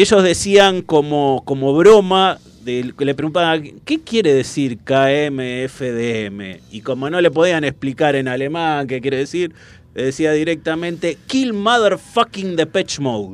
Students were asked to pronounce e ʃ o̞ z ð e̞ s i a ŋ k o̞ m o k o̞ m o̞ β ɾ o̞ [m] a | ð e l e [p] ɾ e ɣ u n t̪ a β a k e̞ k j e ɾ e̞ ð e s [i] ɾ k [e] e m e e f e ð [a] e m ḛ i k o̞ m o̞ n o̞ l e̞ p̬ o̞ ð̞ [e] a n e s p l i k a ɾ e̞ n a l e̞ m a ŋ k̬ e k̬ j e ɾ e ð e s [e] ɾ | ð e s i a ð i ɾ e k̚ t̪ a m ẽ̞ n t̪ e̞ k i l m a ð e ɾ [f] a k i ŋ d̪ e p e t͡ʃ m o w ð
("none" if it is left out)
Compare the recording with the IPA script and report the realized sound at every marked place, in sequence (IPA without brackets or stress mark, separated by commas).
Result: m, p, i, a, e, i, i, f